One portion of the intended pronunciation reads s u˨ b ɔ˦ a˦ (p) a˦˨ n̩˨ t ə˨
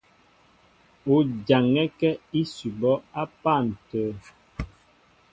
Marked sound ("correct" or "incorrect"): correct